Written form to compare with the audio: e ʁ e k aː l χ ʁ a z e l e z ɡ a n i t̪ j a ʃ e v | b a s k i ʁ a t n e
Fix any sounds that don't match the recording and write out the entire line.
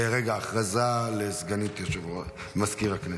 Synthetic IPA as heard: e ʁ e ɡ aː χ ʁ a z a l e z ɡ a n i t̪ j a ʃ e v | m a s k i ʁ a k n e